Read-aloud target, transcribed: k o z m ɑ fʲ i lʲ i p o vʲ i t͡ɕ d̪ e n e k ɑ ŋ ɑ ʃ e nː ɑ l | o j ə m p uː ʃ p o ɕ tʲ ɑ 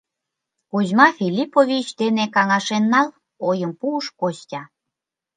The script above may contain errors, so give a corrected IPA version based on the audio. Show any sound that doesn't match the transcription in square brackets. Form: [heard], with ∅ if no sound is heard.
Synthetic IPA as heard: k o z m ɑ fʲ i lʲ i p o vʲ i t͡ɕ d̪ e n e k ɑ ŋ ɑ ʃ e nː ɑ l | o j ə m p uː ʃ [k] o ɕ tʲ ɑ